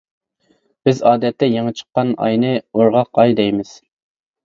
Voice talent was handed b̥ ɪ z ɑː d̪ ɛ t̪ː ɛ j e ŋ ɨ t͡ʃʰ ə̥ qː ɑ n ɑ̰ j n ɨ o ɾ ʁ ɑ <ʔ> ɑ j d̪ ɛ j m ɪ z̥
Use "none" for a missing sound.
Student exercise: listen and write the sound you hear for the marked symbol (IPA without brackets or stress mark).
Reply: q